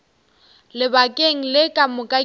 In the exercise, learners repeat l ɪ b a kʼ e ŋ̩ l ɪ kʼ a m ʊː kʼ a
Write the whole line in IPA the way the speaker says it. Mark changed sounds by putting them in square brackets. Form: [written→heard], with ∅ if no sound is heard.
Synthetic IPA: l ɪ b a kʼ e ŋ̩ l ɪ kʼ a m [ʊː→ʊ] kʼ a